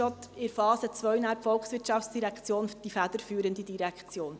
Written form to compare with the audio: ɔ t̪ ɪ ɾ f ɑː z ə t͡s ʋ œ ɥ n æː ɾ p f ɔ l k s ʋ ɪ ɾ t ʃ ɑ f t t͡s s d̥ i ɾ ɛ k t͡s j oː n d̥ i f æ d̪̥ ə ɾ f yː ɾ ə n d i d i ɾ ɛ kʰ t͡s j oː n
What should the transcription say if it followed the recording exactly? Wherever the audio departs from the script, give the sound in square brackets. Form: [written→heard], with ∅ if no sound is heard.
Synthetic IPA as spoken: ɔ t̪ ɪ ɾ f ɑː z ə t͡s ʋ œ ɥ n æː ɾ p f ɔ l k s ʋ ɪ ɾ t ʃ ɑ f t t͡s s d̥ i ɾ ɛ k t͡s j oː n d̥ i f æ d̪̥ ə ɾ f yː ɾ ə n d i d i ɾ ɛ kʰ t͡s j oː n